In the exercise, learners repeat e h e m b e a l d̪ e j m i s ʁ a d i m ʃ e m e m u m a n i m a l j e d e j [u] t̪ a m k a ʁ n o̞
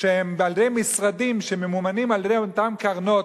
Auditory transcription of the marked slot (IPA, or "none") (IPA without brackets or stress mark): o